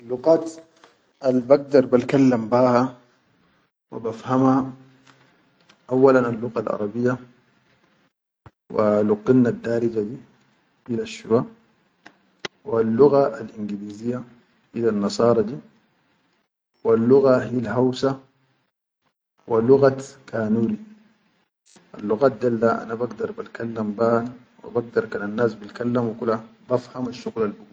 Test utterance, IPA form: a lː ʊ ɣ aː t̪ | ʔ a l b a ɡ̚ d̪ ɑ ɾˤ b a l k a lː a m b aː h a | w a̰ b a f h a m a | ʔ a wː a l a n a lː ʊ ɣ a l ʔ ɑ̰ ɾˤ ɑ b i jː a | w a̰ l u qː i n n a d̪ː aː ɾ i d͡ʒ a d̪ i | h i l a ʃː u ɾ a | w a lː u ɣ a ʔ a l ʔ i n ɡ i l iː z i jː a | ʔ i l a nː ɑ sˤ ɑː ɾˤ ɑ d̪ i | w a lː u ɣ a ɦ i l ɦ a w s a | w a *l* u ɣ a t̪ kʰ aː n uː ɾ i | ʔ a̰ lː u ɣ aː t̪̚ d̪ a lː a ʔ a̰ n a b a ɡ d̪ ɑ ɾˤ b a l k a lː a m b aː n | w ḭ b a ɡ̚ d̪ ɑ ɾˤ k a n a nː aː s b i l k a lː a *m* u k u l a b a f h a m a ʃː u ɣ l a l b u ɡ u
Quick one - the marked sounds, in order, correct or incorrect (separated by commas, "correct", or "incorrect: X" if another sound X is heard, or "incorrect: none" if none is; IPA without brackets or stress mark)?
correct, correct